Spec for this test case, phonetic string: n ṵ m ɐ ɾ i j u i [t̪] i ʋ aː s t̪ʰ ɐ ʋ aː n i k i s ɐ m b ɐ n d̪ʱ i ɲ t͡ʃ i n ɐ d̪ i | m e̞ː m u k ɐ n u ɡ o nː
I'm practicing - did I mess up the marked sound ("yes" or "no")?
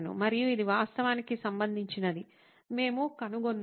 yes